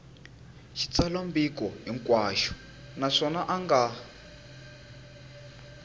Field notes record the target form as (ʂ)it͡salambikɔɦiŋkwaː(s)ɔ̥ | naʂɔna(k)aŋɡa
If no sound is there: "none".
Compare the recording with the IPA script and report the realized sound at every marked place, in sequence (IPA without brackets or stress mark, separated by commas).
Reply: ʃ, ʃ, ʔ